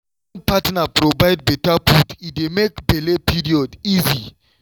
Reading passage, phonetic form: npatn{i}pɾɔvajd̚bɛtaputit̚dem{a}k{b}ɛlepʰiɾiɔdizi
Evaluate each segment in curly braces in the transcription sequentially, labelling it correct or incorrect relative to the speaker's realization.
incorrect: a, incorrect: e, correct

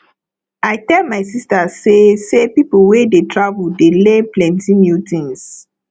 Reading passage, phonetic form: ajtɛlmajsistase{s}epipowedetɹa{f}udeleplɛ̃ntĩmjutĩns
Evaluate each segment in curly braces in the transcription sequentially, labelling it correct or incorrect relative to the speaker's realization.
correct, incorrect: v

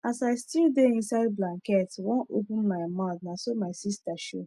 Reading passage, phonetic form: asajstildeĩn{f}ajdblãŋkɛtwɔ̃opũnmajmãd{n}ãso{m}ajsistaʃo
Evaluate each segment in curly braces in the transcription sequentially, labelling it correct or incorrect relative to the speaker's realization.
incorrect: s, correct, correct

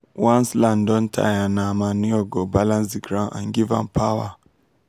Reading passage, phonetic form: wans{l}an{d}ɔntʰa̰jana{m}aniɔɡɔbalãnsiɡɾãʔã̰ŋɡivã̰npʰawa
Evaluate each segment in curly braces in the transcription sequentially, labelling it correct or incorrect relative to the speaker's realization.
correct, correct, correct

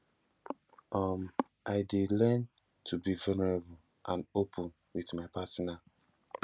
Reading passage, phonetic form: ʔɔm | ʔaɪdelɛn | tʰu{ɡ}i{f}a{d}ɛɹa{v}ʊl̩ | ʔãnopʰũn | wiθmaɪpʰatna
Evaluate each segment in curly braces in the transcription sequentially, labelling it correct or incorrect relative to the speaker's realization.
incorrect: b, incorrect: v, incorrect: n, incorrect: b

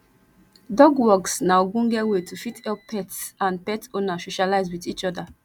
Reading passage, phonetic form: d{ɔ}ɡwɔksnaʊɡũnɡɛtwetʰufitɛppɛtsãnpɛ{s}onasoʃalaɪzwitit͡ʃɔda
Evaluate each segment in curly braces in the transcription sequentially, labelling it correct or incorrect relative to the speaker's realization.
correct, incorrect: t

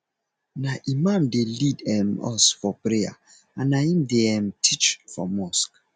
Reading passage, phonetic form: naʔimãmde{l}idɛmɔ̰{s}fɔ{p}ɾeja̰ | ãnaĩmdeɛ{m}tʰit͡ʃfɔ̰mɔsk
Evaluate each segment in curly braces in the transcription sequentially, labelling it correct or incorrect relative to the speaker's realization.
correct, correct, correct, correct

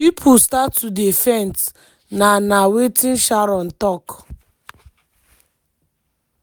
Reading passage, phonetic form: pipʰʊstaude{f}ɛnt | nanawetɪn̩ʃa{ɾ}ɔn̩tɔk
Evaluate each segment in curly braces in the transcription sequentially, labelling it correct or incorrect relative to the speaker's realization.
correct, correct

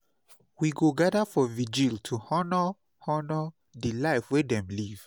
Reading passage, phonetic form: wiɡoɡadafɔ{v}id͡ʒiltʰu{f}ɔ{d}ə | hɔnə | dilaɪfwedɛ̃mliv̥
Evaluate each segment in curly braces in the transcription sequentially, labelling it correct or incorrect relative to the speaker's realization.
correct, incorrect: h, incorrect: n

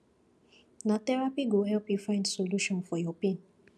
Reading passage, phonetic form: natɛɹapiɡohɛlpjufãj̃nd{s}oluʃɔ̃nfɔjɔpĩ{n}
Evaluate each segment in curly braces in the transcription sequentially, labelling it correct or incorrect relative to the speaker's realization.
correct, correct

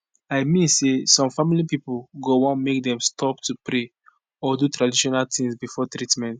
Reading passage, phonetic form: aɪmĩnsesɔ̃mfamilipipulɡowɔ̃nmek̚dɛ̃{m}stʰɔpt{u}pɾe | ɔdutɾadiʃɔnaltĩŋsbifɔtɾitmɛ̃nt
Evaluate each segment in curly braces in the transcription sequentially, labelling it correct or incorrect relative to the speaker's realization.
correct, correct

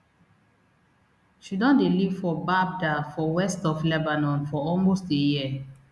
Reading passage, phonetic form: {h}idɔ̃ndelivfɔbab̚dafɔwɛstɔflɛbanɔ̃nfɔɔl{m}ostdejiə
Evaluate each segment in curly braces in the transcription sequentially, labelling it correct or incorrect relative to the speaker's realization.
incorrect: ʃ, correct

